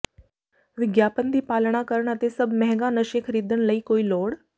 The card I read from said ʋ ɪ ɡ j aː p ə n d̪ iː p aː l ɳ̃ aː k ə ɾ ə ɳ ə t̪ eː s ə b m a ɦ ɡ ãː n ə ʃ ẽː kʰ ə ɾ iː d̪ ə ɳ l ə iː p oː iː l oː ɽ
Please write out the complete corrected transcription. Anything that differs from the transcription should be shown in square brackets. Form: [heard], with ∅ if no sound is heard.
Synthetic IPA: ʋ ɪ ɡ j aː p ə n d̪ iː p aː l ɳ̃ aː k ə ɾ ə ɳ ə t̪ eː s ə b m [ɛ] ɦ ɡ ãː n ə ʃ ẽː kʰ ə ɾ iː d̪ ə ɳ l ə iː [k] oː iː l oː ɽ